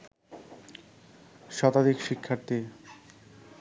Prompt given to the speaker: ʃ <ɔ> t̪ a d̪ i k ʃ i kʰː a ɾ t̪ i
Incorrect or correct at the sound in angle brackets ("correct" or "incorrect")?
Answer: correct